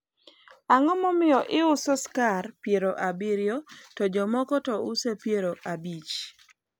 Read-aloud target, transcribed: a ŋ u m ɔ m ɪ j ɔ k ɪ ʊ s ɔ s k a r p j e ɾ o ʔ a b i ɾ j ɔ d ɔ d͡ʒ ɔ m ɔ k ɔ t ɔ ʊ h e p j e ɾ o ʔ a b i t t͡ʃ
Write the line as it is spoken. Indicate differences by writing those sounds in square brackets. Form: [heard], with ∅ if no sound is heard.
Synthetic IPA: a ŋ [ɔ] m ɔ m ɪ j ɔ [ʔ] ɪ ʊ s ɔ s k a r p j e ɾ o ʔ a b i ɾ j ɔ [t] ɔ d͡ʒ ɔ m ɔ k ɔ t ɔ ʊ [s] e p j e ɾ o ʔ a b i [∅] t͡ʃ